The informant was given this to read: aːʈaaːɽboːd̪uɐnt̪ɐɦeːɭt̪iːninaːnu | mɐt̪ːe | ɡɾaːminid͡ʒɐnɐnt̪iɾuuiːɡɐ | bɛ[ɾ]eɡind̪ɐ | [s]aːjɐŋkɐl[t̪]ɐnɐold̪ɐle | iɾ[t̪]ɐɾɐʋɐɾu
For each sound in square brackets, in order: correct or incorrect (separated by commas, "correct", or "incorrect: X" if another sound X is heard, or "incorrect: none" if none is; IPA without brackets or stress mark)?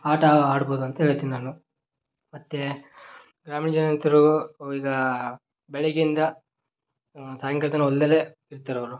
incorrect: ɭ, correct, correct, correct